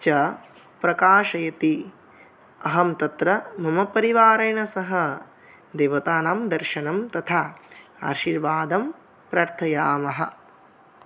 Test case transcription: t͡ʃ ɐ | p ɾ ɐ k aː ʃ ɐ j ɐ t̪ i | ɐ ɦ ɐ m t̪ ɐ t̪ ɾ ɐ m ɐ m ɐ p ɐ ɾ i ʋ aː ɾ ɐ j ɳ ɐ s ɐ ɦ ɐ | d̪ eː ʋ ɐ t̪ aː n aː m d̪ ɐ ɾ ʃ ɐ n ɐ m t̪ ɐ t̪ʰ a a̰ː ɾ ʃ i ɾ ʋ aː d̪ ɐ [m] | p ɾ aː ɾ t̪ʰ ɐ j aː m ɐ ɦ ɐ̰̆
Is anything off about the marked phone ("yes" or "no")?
no